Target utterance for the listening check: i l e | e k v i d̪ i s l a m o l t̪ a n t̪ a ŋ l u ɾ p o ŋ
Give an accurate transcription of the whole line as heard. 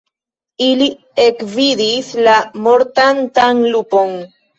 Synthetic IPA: i l i | e k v i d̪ i s l a m o ɾ t̪ a n t̪ a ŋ l u p o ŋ